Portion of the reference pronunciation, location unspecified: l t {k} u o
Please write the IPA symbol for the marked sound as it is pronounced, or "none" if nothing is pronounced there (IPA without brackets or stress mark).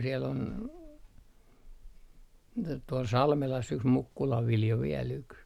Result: t